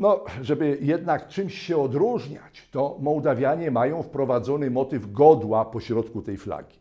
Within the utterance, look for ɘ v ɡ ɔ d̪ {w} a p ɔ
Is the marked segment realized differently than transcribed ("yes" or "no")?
no